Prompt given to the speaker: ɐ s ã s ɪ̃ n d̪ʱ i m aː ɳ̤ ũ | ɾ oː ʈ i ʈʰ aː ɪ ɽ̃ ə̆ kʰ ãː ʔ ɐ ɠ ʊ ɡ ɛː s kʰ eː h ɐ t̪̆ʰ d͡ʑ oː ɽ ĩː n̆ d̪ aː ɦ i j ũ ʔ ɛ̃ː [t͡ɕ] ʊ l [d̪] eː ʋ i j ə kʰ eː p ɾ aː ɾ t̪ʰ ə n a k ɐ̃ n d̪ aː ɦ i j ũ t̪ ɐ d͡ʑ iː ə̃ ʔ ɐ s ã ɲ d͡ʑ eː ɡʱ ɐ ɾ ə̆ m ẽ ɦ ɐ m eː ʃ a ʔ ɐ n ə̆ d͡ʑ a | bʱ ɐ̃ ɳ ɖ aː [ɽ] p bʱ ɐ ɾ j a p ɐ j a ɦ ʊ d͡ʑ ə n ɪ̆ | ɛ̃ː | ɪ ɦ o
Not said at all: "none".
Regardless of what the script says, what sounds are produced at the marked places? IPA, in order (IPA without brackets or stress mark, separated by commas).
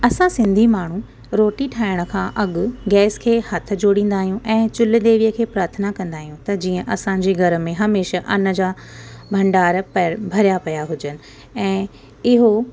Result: t͡ɕ, d̪, ɾ